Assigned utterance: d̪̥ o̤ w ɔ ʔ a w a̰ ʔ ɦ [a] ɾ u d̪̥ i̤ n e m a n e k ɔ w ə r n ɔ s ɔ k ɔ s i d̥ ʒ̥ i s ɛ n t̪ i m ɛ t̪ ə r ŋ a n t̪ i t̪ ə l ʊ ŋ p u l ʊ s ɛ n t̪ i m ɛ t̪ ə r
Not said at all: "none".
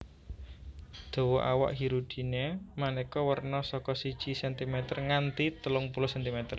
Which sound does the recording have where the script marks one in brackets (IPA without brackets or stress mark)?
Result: i